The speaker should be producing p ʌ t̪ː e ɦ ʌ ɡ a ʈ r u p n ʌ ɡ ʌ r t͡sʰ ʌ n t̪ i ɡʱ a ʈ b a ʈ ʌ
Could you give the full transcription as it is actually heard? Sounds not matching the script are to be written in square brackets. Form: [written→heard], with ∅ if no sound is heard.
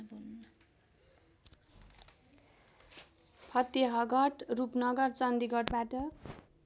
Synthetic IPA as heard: [p→pʰ] ʌ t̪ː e ɦ ʌ ɡ [a→ʌ] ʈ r u p n ʌ ɡ ʌ r [t͡sʰ→t͡s] ʌ n [t̪→d̪] i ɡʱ [a→ʌ] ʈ b a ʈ ʌ